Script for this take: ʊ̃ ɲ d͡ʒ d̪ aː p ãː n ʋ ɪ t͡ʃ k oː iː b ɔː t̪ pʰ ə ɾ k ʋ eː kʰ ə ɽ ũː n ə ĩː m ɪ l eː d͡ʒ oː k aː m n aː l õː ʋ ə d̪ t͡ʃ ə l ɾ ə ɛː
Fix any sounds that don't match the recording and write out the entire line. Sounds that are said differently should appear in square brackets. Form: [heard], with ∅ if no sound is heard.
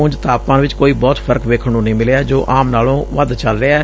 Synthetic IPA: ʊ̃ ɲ d͡ʒ [t̪] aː p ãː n ʋ ɪ t͡ʃ k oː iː b ɔː t̪ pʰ ə ɾ k ʋ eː kʰ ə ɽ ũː n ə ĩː m ɪ l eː d͡ʒ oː [ʔ] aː m n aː l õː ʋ ə d̪ t͡ʃ ə l ɾ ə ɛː